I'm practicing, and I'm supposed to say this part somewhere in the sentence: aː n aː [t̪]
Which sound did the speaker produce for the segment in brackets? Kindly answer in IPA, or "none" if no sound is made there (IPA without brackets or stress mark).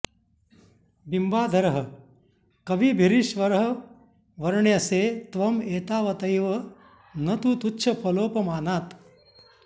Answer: t̪